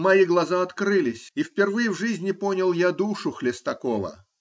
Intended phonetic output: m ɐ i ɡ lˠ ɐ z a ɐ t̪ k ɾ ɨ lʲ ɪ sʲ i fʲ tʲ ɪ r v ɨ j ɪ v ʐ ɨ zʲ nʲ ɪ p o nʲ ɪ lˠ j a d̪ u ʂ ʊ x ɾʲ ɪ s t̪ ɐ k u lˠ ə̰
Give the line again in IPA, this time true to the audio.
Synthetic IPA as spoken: m ɐ i ɡ lˠ ɐ z a ɐ t̪ k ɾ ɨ lʲ ɪ sʲ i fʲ pʲ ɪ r v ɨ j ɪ v ʐ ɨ zʲ nʲ ɪ p o nʲ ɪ lˠ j a d̪ u ʂ ʊ x lʲ ɪ s t̪ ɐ k o lˠ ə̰